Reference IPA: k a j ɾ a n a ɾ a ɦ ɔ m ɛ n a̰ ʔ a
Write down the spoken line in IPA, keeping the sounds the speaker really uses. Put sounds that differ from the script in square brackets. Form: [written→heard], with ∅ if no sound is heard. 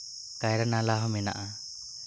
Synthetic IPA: k a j ɾ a n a [ɾ→l] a ɦ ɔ m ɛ n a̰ ʔ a